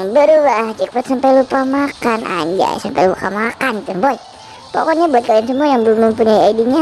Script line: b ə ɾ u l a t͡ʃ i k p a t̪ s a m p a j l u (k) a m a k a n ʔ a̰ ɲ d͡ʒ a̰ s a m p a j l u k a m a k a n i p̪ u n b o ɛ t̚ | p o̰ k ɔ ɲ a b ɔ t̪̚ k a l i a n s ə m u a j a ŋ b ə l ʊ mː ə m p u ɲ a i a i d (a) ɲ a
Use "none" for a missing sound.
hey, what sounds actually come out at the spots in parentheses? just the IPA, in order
p, i

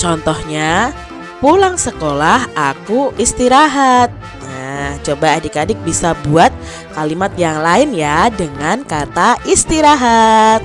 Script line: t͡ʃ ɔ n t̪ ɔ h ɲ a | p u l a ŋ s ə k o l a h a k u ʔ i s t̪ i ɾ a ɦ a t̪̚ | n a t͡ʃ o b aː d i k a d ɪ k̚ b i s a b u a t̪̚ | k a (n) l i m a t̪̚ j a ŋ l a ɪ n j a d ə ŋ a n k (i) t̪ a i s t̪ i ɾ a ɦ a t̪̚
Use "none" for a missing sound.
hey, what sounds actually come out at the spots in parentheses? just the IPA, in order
none, a

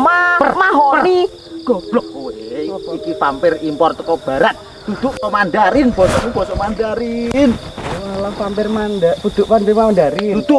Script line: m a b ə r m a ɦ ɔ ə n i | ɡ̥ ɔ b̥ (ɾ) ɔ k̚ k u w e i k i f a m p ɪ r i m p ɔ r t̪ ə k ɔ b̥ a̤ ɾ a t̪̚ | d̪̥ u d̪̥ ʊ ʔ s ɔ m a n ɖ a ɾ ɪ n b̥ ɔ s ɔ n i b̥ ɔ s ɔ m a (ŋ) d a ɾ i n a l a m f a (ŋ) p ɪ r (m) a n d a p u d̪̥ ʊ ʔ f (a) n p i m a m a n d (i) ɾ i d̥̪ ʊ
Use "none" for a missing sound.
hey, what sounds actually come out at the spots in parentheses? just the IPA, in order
l, n, m, m, a, a

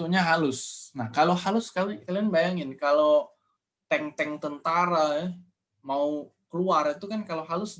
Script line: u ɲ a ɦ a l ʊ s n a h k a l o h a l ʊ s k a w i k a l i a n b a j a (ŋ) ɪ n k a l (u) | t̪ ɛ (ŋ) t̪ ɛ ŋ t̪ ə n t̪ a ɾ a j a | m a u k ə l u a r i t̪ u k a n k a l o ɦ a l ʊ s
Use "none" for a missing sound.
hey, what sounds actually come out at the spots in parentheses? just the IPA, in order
ŋ, o, ŋ

